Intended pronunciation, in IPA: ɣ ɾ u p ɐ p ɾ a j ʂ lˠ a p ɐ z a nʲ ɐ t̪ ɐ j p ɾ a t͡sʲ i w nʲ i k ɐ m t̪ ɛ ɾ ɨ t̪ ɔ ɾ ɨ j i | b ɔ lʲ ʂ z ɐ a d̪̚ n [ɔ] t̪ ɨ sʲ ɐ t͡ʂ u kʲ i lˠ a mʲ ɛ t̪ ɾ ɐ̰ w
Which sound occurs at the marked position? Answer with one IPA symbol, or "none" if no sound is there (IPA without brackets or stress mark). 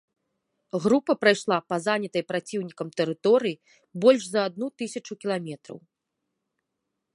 u